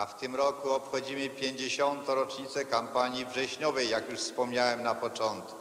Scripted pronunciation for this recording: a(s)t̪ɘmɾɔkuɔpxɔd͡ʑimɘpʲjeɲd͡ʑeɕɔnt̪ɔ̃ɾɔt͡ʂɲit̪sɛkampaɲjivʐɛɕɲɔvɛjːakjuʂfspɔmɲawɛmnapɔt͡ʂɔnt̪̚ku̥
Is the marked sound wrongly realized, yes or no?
yes